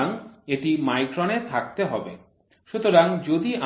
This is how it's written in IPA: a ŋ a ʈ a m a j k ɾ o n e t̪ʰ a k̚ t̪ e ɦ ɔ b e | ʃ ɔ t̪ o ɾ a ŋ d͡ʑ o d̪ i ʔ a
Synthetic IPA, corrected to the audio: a ŋ e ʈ i m a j k ɾ o n e t̪ʰ a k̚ t̪ e ɦ ɔ b e | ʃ u t̪ o ɾ a ŋ d͡ʑ o d̪ i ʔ a